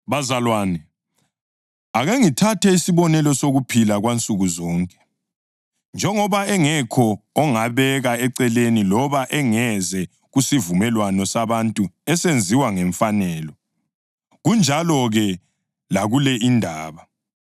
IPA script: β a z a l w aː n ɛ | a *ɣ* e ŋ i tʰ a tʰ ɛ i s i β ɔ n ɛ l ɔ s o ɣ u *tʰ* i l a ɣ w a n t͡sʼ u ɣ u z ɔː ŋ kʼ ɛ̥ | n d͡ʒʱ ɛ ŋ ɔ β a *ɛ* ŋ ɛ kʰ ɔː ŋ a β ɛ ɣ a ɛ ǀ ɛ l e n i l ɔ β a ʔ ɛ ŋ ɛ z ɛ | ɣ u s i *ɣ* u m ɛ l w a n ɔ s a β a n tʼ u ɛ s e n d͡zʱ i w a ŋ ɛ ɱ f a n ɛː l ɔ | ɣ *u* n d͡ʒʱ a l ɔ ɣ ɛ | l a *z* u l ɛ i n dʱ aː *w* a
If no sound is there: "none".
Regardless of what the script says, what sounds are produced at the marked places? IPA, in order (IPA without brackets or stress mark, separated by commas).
ɣ, pʰ, ɛ, v, u, ɣ, β